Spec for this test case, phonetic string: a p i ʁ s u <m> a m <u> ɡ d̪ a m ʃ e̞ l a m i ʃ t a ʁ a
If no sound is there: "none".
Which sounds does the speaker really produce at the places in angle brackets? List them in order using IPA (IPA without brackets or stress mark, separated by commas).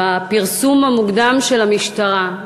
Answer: m, u